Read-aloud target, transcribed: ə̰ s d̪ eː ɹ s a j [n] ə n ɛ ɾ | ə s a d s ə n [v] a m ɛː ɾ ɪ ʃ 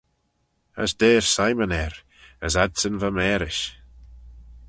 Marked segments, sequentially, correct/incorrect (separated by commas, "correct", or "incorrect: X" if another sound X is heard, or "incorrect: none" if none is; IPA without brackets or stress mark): incorrect: m, correct